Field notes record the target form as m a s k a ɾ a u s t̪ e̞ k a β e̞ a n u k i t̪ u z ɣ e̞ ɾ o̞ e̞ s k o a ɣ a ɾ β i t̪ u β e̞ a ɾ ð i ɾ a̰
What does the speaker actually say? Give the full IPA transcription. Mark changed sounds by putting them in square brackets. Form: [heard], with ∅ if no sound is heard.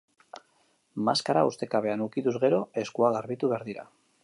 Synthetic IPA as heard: m a s k a ɾ a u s t̪ e̞ k a β e̞ a n u k i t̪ u z ɣ e̞ ɾ o̞ e̞ s k [u] a ɣ a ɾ β i t̪ u β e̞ a ɾ ð i ɾ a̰